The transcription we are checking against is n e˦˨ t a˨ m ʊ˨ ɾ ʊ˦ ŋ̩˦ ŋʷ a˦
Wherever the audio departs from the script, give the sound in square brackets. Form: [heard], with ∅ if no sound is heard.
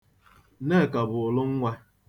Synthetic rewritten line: n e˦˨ [k] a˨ [b] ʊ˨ [l] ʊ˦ ŋ̩˦ ŋʷ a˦